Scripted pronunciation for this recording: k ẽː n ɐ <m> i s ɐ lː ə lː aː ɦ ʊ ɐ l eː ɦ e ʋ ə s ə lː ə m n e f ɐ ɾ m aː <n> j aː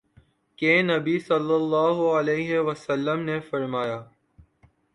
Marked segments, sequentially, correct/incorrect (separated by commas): incorrect, incorrect